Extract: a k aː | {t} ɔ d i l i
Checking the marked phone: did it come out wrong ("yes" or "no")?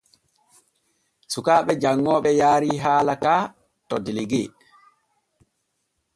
no